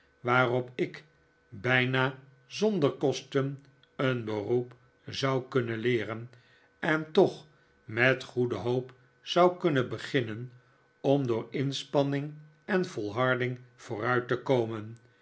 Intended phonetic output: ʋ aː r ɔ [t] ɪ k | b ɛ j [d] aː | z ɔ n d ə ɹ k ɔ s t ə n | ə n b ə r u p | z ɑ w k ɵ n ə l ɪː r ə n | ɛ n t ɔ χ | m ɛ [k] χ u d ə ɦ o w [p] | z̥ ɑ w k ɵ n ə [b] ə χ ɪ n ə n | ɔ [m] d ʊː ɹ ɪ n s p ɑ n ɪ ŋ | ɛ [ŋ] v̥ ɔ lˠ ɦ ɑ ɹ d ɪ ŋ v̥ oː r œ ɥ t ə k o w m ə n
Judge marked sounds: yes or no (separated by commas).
no, no, no, yes, yes, yes, no